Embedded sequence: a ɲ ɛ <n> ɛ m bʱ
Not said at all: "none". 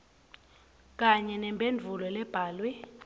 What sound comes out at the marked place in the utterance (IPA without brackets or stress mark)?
n